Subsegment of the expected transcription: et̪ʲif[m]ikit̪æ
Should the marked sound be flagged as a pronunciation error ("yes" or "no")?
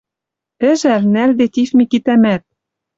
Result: no